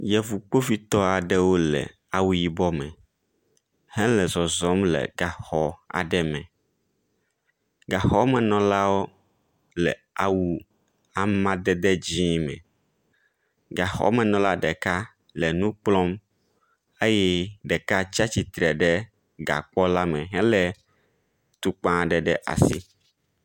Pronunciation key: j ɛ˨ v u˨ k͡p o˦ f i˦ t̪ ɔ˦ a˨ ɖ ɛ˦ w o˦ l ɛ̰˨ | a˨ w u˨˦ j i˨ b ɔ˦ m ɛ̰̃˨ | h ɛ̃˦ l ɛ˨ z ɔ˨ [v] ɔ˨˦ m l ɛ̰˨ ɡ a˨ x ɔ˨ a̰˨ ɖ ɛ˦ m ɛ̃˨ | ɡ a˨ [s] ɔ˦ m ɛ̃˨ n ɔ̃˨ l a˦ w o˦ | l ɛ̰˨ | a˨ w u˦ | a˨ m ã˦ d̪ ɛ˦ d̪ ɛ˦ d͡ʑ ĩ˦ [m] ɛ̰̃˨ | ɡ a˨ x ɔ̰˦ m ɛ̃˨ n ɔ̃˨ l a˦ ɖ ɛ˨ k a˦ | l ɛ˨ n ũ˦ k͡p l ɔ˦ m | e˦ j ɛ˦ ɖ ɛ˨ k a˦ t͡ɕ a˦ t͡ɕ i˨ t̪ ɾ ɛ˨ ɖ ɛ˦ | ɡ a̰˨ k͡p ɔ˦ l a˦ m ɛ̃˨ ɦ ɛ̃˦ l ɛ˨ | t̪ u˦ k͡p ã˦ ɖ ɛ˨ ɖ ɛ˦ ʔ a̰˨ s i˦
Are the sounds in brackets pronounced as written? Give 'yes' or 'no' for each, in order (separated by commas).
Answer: no, no, yes